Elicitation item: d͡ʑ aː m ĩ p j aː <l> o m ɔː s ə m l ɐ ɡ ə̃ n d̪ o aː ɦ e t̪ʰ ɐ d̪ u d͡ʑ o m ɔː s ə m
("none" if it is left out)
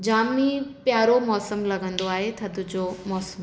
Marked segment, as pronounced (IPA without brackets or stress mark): ɾ